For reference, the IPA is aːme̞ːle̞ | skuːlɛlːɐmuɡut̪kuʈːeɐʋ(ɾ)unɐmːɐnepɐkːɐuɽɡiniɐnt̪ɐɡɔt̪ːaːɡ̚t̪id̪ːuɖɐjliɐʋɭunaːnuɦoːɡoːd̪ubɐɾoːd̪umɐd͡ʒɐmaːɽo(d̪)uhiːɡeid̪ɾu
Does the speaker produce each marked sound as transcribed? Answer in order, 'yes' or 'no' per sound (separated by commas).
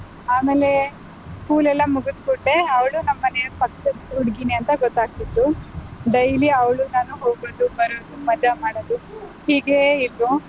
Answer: no, yes